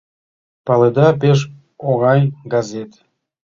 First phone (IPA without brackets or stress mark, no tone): p